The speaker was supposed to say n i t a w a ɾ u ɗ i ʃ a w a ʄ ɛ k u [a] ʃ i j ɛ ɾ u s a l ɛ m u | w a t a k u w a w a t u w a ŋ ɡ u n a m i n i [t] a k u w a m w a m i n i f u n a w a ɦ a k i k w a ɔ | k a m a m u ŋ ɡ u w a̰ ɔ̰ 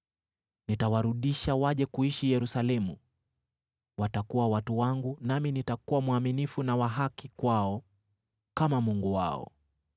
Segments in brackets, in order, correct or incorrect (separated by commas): incorrect, correct